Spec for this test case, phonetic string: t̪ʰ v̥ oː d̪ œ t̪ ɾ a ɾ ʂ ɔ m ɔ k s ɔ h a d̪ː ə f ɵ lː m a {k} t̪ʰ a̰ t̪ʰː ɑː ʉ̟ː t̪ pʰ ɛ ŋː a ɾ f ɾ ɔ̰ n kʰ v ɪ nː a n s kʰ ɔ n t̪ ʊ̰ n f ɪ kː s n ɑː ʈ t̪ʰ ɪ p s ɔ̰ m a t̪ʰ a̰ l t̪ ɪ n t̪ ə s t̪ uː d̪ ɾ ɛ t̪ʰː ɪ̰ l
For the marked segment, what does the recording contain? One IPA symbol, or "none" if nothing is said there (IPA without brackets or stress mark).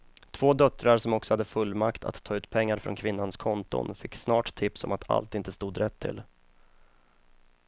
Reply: k